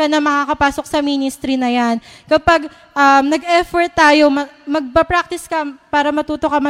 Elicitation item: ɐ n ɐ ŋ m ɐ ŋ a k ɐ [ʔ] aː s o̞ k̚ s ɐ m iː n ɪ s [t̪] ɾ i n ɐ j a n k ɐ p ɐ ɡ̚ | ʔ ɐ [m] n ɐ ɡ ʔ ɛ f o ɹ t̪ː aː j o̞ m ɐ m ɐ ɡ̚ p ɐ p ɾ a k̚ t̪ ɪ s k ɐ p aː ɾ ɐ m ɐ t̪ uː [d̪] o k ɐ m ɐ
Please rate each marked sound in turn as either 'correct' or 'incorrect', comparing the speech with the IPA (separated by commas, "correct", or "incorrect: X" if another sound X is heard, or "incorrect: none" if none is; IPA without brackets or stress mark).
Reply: incorrect: p, correct, correct, incorrect: t̪